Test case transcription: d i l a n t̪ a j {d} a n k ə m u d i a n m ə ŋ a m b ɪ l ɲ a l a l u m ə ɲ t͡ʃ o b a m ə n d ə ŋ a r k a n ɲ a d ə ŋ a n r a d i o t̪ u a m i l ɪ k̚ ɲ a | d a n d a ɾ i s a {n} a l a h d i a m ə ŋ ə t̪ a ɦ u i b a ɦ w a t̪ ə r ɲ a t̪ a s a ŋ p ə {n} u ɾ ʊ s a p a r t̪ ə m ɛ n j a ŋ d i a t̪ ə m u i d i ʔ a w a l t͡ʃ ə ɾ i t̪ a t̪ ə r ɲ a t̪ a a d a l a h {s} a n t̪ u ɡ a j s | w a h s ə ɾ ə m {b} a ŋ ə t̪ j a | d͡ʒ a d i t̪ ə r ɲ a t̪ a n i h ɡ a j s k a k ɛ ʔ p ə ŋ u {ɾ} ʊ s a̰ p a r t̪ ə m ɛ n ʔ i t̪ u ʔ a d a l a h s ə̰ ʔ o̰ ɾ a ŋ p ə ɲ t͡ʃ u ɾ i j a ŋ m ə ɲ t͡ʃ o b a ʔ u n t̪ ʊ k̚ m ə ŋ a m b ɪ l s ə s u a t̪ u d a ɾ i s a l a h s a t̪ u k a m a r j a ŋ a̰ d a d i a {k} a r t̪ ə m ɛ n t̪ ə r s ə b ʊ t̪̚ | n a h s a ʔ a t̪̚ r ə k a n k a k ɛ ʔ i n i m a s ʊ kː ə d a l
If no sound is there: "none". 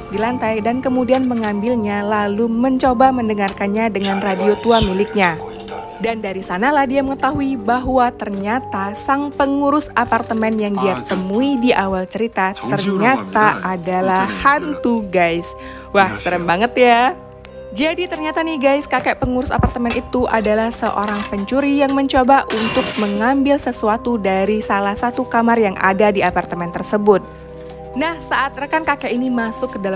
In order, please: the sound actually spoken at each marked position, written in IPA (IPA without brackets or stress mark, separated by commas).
d, n, ŋ, h, b, ɾ, p